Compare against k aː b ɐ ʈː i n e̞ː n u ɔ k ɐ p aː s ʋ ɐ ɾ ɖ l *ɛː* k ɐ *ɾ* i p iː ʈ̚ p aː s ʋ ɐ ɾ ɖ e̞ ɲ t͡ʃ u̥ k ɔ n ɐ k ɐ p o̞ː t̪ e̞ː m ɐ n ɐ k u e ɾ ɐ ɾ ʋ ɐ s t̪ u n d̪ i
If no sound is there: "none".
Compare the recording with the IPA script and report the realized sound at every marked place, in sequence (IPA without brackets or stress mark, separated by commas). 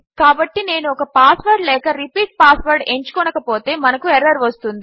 ɛː, ɾ